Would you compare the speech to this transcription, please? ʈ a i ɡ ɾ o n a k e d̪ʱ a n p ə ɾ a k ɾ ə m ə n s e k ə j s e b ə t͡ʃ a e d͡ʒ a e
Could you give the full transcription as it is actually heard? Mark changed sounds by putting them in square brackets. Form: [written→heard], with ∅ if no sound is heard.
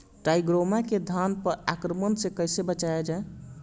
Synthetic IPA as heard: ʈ a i ɡ ɾ o [n→m] a k e d̪ʱ a n p ə ɾ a k ɾ ə m ə n s e k ə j s e b ə t͡ʃ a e d͡ʒ a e

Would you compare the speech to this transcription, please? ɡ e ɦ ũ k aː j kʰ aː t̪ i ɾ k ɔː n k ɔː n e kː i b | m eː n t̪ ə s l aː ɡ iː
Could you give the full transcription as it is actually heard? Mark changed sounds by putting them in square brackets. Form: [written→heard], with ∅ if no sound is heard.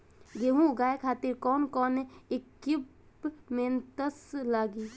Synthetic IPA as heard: ɡ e ɦ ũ [k→ɡ] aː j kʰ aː t̪ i ɾ k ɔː n k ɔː n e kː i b | m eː n t̪ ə s l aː ɡ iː

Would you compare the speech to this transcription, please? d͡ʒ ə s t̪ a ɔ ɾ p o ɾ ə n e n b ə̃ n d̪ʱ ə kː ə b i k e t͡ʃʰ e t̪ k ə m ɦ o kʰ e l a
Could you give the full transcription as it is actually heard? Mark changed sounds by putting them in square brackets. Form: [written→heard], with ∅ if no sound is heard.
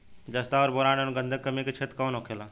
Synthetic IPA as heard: d͡ʒ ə s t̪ a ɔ ɾ [p→b] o ɾ [ə→a] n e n [b→ɡ] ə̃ n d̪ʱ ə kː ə [b→m] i k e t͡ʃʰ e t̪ k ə [m→n] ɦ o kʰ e l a

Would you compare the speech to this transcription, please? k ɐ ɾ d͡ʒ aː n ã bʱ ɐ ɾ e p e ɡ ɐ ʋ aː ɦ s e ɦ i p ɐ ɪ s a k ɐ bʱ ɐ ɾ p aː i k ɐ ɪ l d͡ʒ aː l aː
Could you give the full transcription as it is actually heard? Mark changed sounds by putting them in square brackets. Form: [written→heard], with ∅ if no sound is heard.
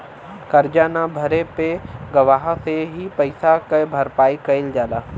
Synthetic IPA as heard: k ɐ ɾ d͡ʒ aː n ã bʱ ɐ ɾ e p e ɡ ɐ ʋ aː ɦ s e ɦ i p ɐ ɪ s a k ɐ bʱ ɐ ɾ p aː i k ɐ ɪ l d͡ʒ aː l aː

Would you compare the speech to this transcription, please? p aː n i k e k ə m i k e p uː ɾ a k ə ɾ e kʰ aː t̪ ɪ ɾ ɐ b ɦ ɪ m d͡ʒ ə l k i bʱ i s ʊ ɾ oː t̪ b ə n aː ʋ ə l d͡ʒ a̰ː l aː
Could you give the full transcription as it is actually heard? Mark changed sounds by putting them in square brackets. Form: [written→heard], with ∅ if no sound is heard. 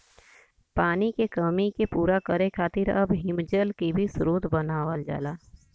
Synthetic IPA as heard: p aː n i k e k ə m i k e p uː ɾ a k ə ɾ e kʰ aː t̪ ɪ ɾ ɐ b ɦ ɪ m d͡ʒ ə l k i bʱ i s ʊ ɾ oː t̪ b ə n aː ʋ ə l d͡ʒ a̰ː l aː

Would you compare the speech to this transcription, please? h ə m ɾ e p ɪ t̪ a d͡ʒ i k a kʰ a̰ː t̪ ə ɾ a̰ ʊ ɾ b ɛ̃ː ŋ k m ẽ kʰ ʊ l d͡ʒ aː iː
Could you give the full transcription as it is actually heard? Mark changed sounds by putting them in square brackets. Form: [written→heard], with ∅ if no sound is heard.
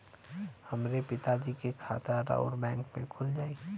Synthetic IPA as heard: h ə m ɾ e p ɪ t̪ a d͡ʒ i k [a→e] kʰ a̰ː t̪ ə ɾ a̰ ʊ ɾ b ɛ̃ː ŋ k m ẽ kʰ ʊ l d͡ʒ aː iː

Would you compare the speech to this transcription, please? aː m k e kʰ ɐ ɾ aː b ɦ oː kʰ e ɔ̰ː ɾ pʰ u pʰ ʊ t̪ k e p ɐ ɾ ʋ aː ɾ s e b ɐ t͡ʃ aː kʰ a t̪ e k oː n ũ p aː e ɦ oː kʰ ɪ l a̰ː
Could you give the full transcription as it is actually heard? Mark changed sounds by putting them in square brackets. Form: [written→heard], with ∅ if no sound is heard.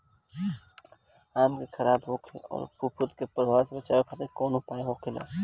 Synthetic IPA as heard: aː m k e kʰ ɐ ɾ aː b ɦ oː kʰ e ɔ̰ː ɾ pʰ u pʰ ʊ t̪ k e p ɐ ɾ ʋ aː ɾ s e b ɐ t͡ʃ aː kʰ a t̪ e k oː n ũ p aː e ɦ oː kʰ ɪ l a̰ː

